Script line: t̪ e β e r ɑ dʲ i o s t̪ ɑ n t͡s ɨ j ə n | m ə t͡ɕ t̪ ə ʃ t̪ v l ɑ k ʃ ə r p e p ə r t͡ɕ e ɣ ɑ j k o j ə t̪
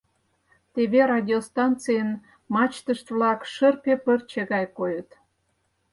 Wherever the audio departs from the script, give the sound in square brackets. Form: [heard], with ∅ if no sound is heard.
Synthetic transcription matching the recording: t̪ e β e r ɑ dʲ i o s t̪ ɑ n t͡s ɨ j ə n | m [ɑ] t͡ɕ t̪ ə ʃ t̪ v l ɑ k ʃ ə r p e p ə r t͡ɕ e ɣ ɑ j k o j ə t̪